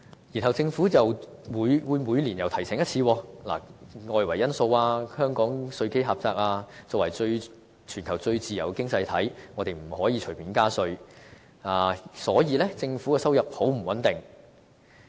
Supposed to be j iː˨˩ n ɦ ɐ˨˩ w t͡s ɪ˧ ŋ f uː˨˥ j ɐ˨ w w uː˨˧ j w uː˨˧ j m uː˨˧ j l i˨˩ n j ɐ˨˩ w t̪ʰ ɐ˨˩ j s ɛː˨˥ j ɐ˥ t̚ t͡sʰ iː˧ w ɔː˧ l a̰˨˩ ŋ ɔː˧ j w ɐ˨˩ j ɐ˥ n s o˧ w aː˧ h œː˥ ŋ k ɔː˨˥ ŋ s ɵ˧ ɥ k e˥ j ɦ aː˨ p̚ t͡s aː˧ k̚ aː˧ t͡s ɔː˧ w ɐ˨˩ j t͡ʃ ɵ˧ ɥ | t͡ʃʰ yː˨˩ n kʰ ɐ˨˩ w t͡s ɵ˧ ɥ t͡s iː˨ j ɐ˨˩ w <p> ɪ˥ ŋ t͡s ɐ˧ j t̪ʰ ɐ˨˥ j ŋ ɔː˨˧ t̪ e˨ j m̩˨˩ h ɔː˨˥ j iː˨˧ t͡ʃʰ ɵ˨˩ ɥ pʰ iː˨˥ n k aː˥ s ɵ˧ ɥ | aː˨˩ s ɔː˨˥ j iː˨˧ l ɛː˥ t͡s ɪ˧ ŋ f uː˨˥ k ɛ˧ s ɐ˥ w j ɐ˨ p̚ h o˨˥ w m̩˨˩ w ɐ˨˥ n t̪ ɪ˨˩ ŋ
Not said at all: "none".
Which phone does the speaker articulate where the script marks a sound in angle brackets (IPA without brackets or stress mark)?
k